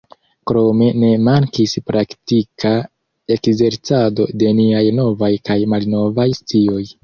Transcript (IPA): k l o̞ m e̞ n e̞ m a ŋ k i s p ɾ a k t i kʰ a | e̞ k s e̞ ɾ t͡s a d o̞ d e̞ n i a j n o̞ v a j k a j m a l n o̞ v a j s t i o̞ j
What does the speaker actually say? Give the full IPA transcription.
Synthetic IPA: k ɾ o̞ m e̞ n e̞ m a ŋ k i s p ɾ a k t i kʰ a | e̞ k z e̞ ɾ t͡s a d o̞ d e̞ n i a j n o̞ v a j k a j m a l n o̞ v a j s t i o̞ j